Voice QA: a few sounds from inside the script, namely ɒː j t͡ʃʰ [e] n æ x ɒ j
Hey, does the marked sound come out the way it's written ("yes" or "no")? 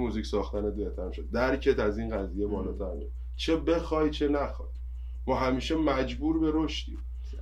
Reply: yes